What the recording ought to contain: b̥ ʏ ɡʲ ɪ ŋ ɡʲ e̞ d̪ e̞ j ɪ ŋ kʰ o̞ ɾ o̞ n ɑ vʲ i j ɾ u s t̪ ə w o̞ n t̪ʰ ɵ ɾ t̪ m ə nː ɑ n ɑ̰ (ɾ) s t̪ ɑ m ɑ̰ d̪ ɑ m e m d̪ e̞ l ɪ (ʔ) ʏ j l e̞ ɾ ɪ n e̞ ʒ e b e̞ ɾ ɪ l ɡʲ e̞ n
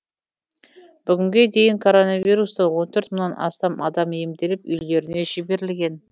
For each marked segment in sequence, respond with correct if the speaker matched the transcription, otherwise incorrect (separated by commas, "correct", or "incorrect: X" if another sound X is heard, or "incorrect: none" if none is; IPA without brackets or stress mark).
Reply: incorrect: none, incorrect: p